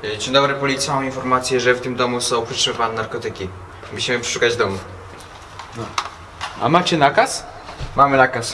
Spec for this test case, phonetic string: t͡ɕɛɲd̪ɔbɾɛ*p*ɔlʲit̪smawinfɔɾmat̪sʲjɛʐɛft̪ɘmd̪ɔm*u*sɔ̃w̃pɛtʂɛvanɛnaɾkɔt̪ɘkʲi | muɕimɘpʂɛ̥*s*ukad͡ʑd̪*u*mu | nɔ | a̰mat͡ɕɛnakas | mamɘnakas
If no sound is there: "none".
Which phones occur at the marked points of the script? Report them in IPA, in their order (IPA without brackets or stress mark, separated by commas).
p, u, ʂ, ɔ